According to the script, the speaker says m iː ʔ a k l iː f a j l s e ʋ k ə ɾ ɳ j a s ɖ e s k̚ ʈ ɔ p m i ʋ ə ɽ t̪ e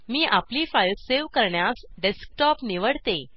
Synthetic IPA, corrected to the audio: m iː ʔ a p l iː f a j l s e ʋ k ə ɾ ɳ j a s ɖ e s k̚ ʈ ɔ p n i ʋ ə ɽ t̪ e